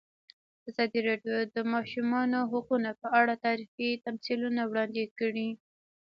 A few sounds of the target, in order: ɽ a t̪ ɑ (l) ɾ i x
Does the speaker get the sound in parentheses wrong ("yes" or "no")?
yes